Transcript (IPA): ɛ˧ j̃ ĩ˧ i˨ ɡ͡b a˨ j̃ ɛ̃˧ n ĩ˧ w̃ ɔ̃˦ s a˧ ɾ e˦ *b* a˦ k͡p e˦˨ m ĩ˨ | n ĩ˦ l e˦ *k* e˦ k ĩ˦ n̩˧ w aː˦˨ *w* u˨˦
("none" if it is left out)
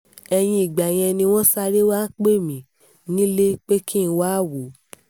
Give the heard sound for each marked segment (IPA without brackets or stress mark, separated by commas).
w, k͡p, w